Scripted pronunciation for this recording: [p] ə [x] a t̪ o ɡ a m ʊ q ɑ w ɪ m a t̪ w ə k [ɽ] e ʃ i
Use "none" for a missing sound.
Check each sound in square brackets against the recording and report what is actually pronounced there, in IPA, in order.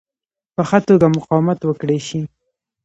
p, x, ɽ

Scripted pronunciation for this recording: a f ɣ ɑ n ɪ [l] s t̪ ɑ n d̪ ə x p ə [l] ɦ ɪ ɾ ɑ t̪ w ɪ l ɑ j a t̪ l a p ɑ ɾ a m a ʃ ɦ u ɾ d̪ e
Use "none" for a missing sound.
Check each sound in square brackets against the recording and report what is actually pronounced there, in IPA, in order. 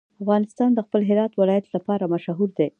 none, l

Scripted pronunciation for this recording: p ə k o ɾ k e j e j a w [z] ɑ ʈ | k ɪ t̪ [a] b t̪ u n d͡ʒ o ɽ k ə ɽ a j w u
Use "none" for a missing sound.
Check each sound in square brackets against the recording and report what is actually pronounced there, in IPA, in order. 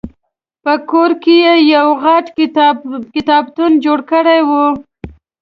ɣ, ɑ

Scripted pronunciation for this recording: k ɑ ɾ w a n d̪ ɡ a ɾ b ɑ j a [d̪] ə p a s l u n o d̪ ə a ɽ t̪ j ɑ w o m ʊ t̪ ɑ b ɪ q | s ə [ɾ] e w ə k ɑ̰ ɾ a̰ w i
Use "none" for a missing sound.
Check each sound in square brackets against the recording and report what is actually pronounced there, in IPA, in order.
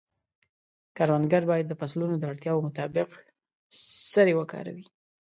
d̪ː, ɾ

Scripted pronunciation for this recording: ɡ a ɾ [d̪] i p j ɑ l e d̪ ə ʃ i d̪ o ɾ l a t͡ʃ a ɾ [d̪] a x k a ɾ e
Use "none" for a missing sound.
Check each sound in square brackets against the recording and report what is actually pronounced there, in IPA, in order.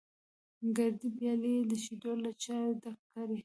d̪, d̪

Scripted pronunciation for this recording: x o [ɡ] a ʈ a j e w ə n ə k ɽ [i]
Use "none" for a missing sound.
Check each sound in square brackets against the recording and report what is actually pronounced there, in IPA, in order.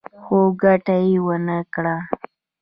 ɡ, a

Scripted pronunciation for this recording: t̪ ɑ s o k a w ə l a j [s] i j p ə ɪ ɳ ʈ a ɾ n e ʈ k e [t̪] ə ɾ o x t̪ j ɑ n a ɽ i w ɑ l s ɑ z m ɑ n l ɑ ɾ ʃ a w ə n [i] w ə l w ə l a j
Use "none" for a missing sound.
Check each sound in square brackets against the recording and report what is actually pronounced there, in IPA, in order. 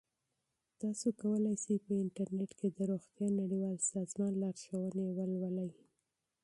s, d̪, e

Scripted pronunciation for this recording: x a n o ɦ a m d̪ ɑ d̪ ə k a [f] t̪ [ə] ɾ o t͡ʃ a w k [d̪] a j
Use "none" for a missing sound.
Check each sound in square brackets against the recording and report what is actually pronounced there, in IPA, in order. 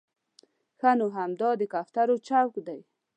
f, a, d̪

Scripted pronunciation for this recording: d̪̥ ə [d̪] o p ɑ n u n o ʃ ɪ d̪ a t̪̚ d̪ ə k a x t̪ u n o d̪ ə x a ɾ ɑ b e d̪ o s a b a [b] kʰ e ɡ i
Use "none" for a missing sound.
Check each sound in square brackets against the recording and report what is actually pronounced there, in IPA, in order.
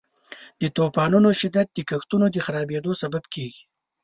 t̪, b

